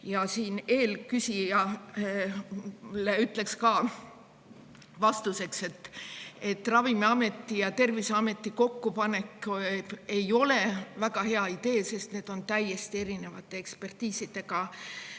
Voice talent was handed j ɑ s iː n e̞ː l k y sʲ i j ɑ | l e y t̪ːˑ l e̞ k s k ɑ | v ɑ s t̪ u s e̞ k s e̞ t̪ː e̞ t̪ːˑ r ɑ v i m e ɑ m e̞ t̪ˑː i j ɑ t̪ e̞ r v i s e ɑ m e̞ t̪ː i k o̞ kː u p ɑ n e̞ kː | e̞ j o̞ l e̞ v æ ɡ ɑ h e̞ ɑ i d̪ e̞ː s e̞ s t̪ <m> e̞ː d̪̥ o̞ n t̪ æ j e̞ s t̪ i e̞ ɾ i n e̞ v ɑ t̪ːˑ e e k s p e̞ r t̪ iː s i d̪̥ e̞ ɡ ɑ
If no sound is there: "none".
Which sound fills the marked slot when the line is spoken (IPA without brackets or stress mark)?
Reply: n